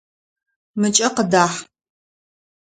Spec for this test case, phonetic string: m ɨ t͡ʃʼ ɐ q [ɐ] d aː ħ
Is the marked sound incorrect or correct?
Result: incorrect